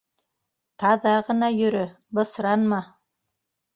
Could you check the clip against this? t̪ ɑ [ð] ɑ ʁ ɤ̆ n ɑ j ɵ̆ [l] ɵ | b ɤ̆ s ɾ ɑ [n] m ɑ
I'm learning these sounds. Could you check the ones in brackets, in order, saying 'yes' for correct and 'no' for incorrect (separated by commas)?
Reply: yes, no, yes